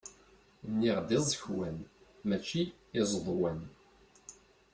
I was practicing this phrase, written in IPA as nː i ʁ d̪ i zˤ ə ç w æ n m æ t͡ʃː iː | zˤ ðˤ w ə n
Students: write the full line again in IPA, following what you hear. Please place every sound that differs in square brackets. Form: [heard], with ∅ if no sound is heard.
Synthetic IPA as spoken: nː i ʁ d̪ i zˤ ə ç w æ n m æ t͡ʃː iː | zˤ ðˤ w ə n